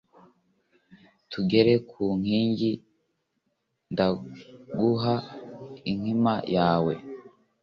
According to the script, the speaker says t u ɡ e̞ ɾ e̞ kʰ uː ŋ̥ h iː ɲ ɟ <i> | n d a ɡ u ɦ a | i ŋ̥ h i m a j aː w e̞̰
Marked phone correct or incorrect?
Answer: correct